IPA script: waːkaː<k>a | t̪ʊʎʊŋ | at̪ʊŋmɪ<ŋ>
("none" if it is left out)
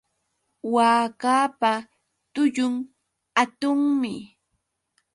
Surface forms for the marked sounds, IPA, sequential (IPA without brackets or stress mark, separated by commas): p, none